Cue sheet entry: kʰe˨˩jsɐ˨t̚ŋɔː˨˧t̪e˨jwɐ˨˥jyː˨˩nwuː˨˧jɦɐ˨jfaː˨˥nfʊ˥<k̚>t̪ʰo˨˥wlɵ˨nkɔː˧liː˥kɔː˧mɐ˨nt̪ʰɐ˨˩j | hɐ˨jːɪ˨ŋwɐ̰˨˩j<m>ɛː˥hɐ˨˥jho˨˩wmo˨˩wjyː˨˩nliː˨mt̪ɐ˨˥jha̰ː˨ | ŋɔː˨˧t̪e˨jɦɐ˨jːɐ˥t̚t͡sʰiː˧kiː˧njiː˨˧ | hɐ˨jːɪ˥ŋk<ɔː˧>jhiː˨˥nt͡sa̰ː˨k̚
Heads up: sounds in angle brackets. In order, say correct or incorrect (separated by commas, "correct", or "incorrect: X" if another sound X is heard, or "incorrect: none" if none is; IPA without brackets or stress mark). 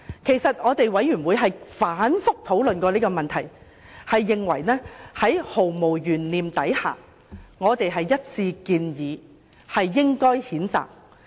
correct, incorrect: n, incorrect: ɔː˥